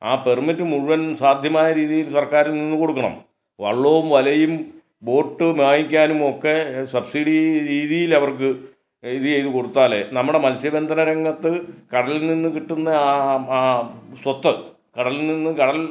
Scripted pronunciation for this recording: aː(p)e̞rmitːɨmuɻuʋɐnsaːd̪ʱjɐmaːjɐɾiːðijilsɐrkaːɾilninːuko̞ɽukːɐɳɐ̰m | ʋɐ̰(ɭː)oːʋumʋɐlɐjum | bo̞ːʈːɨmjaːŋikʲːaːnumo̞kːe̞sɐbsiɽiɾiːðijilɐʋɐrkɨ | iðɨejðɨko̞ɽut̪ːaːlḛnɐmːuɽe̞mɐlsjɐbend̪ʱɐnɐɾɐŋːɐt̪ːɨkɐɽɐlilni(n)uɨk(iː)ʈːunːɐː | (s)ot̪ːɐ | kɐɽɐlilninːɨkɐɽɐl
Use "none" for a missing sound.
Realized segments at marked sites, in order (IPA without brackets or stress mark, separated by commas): p, ɭː, nː, i, s